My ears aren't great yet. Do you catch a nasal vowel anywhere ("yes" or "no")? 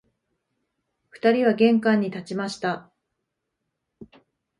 yes